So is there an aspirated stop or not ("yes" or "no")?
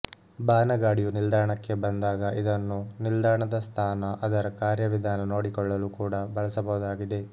yes